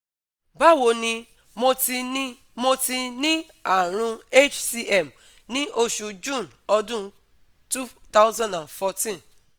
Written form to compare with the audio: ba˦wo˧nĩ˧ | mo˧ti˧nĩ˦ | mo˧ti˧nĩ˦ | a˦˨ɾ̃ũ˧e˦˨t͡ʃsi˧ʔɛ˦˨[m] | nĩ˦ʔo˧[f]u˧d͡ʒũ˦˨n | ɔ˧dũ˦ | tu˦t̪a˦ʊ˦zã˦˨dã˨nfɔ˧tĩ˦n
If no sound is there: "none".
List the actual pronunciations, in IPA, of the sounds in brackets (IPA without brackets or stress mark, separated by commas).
m, ʃ